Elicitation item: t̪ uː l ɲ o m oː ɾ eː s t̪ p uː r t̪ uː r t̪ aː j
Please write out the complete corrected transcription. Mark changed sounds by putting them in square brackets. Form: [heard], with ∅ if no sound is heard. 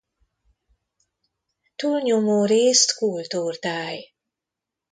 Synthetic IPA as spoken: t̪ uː l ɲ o m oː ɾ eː s t̪ [k] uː [l] t̪ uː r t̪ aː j